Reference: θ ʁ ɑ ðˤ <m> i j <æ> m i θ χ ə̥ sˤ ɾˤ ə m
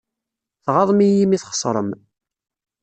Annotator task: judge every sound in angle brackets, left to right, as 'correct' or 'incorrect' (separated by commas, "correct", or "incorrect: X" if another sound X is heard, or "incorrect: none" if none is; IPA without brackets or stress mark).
correct, incorrect: i